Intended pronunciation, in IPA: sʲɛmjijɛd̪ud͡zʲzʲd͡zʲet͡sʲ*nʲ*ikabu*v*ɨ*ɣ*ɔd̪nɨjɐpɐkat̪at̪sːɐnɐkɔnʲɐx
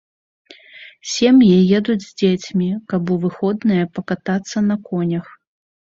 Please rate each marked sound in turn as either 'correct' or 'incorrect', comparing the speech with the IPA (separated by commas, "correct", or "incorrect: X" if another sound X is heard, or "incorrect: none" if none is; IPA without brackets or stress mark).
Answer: incorrect: mʲ, correct, incorrect: x